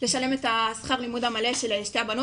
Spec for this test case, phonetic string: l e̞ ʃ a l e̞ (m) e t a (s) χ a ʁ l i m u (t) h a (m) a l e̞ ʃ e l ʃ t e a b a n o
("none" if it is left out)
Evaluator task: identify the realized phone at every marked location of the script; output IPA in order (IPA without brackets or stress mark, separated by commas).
m, s, d, m